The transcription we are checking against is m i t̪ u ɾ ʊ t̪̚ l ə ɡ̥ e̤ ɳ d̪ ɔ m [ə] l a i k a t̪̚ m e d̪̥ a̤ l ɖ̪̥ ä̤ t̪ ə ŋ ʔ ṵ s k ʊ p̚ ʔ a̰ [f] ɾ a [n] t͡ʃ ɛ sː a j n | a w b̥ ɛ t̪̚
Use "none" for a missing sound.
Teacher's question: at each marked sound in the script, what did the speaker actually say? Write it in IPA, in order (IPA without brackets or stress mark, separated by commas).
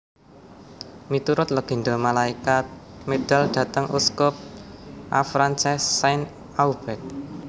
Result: a, f, n